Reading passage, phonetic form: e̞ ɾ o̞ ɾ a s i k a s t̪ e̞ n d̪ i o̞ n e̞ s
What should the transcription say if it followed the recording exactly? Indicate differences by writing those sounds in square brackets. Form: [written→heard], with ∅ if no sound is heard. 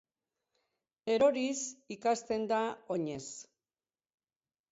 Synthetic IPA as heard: e̞ ɾ o̞ ɾ [a→i] s i k a s t̪ e̞ n d̪ [i→a] o̞ [n→ɲ] e̞ s